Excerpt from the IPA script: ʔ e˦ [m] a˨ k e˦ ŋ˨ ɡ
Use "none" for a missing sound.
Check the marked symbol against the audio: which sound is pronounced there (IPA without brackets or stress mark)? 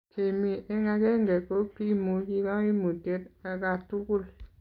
ŋ